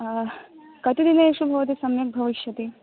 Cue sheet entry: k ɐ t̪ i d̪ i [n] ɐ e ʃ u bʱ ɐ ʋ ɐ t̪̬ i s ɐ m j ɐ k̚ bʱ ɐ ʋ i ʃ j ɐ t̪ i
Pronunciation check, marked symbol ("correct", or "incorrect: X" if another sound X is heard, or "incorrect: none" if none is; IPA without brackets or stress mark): correct